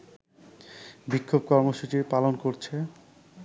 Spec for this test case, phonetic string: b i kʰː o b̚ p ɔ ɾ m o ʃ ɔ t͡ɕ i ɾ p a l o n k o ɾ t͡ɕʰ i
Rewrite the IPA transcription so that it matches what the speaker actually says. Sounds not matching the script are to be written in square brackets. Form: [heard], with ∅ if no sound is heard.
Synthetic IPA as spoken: b i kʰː o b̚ [k] ɔ ɾ m o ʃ [u] t͡ɕ i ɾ p a l o n k o ɾ t͡ɕʰ [e]